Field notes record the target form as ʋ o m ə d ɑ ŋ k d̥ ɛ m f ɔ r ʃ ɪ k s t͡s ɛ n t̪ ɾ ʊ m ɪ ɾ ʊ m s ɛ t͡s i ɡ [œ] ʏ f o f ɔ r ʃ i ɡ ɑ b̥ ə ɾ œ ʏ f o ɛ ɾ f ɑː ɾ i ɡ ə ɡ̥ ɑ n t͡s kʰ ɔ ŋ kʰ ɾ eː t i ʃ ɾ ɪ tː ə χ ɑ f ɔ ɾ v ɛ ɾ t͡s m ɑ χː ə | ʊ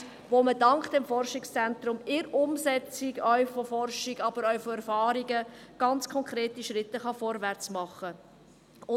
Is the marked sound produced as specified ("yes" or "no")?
yes